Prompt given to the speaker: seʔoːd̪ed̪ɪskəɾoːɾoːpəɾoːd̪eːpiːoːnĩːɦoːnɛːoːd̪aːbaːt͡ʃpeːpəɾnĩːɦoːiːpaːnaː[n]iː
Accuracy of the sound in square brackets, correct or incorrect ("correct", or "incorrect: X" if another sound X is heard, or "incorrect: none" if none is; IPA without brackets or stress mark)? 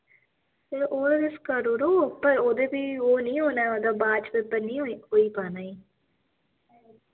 incorrect: none